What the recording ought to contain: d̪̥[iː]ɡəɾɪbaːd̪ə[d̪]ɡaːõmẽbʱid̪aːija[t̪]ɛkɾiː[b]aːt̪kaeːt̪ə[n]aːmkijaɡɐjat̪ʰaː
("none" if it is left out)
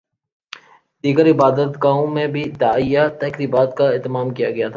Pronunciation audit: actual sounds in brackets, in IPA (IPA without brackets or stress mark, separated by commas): iː, t̪, t̪, b, m